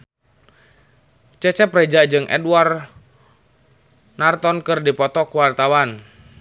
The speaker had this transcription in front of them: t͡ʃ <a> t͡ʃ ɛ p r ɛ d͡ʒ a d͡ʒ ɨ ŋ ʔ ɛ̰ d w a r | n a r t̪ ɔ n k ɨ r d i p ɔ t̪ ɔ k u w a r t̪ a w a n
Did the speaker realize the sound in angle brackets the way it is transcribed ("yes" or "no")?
no